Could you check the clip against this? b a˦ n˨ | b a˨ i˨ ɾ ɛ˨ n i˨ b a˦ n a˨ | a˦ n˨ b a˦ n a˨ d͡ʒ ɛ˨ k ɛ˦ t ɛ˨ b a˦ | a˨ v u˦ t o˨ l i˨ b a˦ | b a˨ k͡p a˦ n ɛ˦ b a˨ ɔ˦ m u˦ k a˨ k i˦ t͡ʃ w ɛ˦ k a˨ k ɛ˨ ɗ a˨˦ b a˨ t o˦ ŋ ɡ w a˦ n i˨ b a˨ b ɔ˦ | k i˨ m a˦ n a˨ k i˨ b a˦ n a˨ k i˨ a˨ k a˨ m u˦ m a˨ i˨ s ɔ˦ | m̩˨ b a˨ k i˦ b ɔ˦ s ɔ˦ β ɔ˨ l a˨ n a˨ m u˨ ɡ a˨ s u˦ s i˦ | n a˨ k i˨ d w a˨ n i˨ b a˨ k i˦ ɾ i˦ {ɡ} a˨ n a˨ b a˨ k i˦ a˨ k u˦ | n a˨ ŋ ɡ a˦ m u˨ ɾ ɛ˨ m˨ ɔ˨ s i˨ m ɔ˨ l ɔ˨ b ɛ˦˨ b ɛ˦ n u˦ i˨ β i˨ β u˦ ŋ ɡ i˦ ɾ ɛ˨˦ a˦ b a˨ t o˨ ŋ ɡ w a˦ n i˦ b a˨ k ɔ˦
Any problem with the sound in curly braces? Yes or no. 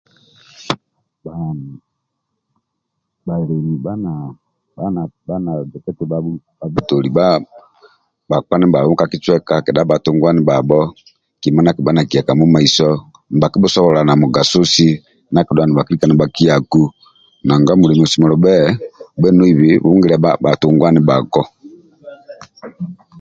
yes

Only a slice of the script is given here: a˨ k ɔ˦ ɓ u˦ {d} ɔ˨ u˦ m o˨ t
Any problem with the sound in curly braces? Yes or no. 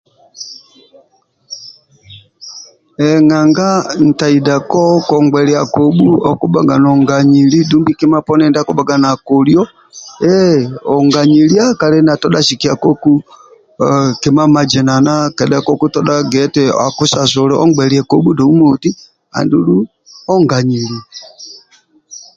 no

